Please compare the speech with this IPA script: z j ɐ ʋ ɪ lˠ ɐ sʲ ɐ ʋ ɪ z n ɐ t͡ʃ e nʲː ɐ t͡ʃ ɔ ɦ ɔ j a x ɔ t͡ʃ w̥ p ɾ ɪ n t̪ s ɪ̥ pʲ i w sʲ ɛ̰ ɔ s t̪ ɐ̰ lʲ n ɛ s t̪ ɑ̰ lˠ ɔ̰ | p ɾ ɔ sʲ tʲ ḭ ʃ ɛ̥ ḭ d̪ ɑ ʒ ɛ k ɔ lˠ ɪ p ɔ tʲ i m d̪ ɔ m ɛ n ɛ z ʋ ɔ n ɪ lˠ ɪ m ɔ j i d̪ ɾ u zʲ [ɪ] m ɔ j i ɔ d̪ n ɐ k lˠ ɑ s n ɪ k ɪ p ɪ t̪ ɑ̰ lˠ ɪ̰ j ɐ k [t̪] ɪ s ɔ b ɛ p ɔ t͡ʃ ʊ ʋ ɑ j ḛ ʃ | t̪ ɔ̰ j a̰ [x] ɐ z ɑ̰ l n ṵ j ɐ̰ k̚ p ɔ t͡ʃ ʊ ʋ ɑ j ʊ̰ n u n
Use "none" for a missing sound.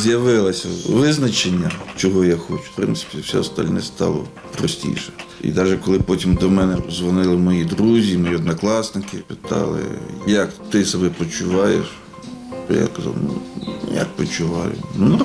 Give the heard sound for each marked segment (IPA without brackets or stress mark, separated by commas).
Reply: i, t̪, k